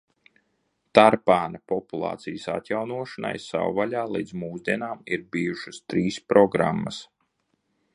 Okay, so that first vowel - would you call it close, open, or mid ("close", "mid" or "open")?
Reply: open